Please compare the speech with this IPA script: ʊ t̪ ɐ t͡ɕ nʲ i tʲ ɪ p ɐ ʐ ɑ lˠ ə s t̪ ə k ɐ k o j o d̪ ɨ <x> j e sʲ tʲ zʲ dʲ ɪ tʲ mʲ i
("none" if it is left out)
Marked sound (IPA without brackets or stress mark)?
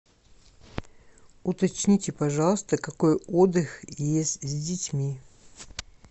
x